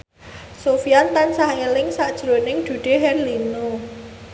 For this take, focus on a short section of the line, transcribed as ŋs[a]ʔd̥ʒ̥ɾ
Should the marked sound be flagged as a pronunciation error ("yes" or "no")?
no